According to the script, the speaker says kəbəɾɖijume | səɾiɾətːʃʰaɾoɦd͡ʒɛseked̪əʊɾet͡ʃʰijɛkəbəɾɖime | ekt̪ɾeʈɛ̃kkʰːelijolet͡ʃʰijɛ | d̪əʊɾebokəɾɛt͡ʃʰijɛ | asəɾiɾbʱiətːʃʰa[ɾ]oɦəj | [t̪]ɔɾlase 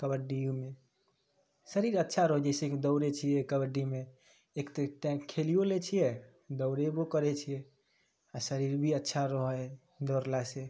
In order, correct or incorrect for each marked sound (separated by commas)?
correct, incorrect